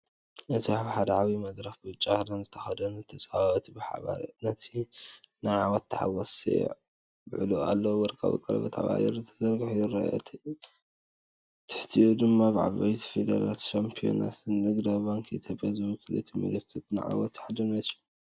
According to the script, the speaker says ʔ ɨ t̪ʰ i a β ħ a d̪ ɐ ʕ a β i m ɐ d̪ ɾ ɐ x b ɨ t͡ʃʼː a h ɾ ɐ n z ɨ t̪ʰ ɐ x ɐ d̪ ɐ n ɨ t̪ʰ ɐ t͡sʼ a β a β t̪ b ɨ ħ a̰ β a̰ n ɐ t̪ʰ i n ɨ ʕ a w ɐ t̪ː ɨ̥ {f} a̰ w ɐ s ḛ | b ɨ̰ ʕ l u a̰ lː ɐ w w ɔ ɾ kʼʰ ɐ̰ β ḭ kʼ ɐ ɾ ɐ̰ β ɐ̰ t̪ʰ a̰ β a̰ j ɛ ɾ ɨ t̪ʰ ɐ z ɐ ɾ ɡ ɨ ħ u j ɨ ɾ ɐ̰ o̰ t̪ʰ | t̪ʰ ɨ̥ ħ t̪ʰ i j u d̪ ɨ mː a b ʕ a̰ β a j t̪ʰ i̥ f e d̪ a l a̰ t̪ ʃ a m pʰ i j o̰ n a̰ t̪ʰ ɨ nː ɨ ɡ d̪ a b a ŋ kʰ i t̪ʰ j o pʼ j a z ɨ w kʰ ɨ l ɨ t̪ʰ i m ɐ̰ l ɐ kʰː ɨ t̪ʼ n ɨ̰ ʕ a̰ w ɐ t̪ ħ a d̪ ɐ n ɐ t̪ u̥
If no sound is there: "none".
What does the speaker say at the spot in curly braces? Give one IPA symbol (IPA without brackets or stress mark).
ħ